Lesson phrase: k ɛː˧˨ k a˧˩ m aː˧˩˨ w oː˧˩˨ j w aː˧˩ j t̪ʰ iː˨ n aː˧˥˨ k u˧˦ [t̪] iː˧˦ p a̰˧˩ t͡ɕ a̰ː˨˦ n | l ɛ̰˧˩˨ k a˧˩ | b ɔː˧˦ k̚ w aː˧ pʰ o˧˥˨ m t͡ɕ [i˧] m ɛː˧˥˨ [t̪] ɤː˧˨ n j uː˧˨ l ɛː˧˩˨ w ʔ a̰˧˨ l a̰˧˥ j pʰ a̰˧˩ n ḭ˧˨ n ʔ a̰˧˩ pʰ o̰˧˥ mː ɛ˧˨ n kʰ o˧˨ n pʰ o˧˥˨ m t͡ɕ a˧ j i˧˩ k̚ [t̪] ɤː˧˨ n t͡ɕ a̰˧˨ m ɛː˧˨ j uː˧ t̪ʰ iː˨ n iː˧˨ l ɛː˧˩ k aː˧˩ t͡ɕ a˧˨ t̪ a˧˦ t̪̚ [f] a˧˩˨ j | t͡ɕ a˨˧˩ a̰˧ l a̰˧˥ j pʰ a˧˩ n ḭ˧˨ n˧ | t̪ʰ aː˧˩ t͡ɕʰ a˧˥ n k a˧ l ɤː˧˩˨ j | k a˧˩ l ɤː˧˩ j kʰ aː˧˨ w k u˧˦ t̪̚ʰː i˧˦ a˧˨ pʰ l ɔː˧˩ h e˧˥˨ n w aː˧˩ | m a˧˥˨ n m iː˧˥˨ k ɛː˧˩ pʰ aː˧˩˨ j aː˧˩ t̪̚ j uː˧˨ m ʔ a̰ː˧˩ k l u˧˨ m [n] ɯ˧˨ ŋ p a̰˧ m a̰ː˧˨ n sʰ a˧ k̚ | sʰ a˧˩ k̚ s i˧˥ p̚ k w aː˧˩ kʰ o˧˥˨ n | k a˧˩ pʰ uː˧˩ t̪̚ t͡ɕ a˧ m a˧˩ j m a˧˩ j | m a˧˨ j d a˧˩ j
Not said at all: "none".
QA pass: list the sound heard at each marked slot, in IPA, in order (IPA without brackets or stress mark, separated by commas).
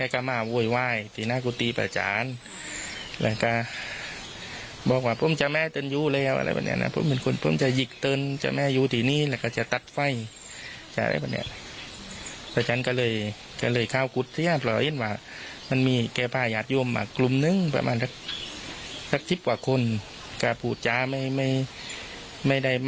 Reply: t̪, a˧, t̪, t̪, f, n